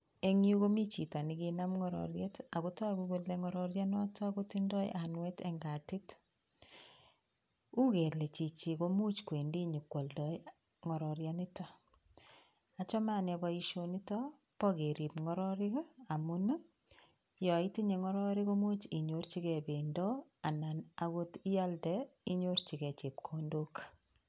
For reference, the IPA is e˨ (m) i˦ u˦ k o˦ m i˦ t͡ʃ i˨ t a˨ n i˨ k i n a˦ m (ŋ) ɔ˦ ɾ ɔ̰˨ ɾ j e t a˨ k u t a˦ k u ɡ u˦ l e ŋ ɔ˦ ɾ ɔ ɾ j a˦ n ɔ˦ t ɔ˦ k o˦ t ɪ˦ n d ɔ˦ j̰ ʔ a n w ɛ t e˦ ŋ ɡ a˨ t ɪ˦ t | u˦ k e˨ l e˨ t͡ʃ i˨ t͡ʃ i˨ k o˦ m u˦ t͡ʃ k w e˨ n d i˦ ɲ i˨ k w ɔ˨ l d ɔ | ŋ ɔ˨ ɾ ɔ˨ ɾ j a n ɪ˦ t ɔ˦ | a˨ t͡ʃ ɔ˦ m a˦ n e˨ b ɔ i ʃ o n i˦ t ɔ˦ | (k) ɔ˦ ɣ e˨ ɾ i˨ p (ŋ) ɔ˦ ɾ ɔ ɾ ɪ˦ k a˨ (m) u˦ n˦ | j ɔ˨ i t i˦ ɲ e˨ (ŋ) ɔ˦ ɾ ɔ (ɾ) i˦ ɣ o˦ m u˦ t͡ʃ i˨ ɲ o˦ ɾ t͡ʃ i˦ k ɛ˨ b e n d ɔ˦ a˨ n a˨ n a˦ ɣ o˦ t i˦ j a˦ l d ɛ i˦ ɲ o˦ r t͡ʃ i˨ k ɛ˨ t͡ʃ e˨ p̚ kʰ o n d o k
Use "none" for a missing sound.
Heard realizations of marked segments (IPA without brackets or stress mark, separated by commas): ŋ, ŋ, p, ŋ, m, ŋ, ɾ